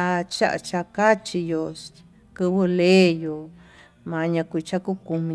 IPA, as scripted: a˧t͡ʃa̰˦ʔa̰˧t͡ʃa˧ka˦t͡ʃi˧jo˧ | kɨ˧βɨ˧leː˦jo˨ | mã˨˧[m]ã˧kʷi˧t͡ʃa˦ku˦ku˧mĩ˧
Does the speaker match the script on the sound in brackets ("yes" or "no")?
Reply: no